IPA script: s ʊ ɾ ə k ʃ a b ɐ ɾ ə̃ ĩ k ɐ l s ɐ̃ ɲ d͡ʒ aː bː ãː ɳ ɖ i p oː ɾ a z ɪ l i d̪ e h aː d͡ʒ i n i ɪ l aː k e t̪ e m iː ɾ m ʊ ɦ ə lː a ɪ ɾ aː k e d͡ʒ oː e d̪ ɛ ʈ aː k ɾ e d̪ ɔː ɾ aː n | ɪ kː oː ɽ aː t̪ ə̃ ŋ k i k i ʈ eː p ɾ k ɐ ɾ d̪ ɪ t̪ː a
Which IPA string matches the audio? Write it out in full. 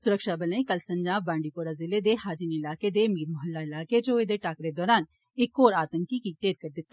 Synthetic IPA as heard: s ʊ ɾ ə k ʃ a b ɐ l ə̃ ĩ k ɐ l s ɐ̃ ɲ d͡ʒ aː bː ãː ɳ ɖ i p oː ɾ a z ɪ l e d̪ e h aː d͡ʒ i n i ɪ l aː k e d̪ e m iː ɾ m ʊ ɦ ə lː a ɪ l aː k e d͡ʒ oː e d̪ e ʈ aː k ɾ e d̪ ɔː ɾ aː n | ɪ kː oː ɾ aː t̪ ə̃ ŋ k i k i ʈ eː ɾ k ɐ ɾ d̪ ɪ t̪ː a